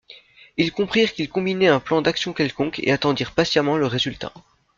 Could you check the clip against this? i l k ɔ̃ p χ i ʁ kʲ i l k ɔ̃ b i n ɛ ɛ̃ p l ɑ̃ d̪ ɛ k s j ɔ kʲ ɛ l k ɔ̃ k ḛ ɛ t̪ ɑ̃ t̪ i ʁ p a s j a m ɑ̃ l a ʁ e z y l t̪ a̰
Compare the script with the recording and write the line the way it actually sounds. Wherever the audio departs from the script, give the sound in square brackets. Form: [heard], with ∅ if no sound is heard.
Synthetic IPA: i l k ɔ̃ p χ i ʁ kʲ i l k ɔ̃ b i n ɛ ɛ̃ p l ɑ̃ d̪ [a] k s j [ɔ̃] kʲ ɛ l k ɔ̃ k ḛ [a] t̪ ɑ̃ [d̪] i ʁ p a s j a m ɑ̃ l [ə] ʁ e z y l t̪ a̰